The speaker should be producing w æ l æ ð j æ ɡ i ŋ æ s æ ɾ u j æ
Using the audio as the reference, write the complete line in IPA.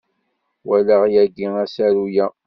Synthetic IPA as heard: w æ l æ ʁ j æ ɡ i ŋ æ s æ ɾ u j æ